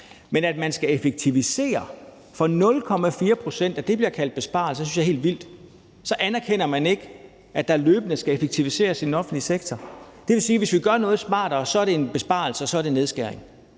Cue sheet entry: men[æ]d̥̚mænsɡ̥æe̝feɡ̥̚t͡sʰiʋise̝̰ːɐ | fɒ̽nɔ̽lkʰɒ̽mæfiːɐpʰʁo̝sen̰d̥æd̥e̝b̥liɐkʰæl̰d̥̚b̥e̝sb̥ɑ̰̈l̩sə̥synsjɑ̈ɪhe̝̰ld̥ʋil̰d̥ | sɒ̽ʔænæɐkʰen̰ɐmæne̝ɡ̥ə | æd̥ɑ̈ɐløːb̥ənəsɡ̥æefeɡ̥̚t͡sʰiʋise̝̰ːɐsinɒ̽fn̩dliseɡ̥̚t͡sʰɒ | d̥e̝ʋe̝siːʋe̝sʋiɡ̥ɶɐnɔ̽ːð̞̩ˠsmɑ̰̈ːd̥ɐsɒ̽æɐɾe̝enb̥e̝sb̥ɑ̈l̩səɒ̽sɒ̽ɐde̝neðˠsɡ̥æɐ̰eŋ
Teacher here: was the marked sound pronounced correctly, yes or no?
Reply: yes